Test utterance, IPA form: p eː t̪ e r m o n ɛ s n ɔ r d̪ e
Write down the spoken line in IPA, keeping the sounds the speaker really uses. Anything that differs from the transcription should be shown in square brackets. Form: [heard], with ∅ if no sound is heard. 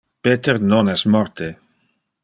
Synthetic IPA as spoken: p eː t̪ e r [n] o n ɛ s [m] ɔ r [t̪] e